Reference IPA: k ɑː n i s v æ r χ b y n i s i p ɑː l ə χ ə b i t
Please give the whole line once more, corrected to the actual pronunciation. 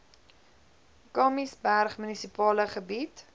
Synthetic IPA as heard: k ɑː m i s b æ r χ m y n i s i p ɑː l ə χ ə b i t